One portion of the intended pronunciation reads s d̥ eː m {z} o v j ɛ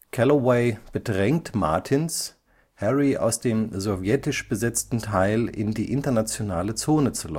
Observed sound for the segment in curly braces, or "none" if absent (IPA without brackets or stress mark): z